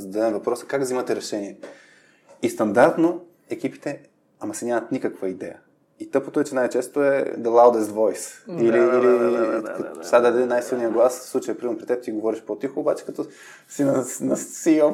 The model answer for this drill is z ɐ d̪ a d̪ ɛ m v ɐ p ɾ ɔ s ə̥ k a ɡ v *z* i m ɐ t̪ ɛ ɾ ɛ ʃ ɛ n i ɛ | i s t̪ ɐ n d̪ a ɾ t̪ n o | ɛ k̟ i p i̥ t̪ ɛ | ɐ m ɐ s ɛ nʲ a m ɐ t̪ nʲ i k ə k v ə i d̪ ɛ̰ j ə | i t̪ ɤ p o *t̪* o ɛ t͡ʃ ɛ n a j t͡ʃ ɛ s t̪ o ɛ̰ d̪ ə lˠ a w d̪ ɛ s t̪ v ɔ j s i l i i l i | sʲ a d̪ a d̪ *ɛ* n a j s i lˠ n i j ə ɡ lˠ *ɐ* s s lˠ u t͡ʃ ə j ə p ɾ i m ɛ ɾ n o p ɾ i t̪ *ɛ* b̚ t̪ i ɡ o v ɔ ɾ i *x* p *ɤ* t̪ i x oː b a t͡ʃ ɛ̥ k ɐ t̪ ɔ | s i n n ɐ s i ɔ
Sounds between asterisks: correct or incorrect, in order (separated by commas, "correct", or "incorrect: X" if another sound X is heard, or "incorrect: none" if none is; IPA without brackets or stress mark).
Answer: correct, correct, correct, incorrect: a, correct, incorrect: ʃ, incorrect: o